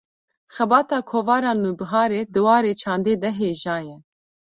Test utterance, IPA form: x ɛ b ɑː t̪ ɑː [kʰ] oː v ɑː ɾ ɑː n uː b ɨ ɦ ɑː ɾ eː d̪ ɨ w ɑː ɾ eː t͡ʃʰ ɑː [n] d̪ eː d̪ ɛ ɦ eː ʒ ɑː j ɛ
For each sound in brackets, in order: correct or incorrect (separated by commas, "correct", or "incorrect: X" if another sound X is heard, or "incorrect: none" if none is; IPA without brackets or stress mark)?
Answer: correct, correct